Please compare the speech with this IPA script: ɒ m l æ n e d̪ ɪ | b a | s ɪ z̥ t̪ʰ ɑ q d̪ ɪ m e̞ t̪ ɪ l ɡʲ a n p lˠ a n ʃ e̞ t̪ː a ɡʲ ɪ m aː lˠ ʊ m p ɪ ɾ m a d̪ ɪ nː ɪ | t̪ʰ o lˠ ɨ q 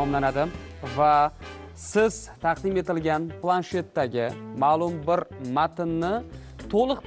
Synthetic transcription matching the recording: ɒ m l a n a d̪ ɪ | v a | s ɪ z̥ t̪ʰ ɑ q d̪ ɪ m e̞ t̪ ɪ l ɡʲ a n p lˠ a n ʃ e̞ t̪ː a ɡʲ ɪ m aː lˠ ʊ m b ɪ ɾ m a t̪ ɪ nː ɪ | t̪ʰ o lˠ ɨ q